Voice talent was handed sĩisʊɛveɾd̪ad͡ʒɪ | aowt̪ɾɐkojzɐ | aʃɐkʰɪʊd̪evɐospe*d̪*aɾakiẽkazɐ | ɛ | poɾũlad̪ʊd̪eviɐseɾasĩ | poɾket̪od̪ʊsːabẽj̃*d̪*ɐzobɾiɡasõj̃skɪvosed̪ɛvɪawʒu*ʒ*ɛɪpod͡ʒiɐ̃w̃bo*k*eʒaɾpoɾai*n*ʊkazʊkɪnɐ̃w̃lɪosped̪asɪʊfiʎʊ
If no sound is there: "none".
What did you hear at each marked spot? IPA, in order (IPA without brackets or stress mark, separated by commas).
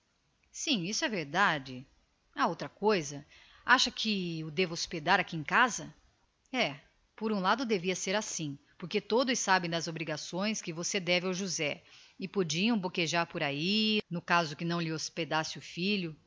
d̪, d̪, z, k, n